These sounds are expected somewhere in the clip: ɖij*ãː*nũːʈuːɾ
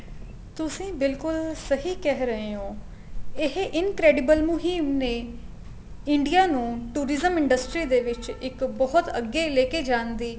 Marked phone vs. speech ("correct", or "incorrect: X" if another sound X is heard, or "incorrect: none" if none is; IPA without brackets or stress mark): incorrect: aː